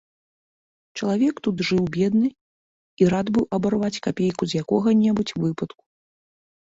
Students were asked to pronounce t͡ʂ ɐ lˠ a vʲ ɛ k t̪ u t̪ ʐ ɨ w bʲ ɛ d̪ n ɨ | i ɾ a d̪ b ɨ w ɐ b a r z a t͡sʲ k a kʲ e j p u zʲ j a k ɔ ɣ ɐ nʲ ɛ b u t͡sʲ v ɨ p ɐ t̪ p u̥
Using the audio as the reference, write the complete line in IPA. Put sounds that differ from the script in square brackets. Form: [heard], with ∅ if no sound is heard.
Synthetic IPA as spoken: t͡ʂ ɐ lˠ a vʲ ɛ k t̪ u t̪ ʐ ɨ w bʲ ɛ d̪ n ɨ | i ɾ a d̪ b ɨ w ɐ b a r [v] a t͡sʲ k a [pʲ] e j [k] u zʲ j a k ɔ ɣ ɐ nʲ ɛ b u t͡sʲ v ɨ p ɐ t̪ [k] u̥